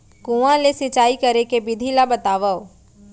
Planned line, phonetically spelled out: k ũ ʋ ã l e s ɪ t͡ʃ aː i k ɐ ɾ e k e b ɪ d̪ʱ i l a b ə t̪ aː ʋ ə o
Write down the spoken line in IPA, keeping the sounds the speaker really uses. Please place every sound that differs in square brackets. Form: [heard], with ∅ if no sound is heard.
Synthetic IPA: k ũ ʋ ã l e s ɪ t͡ʃ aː i k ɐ ɾ e k e b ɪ d̪ʱ i l a b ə t̪ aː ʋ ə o